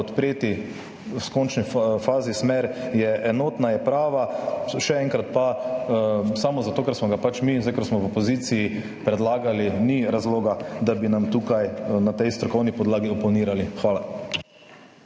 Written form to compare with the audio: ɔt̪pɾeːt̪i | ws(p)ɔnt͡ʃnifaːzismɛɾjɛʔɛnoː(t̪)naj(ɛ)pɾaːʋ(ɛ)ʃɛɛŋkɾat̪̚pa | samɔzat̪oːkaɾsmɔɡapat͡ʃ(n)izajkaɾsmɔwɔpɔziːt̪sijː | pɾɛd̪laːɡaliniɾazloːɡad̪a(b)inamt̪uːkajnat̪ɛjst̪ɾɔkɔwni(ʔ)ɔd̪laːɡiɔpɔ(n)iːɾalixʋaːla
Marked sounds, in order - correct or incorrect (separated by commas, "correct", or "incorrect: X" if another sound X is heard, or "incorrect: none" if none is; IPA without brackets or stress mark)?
incorrect: k, correct, correct, incorrect: a, incorrect: m, correct, incorrect: p, correct